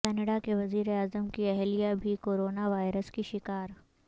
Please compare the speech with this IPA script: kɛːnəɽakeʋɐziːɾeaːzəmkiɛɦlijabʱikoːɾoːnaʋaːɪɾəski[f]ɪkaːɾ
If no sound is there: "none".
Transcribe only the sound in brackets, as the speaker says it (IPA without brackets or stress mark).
ʃ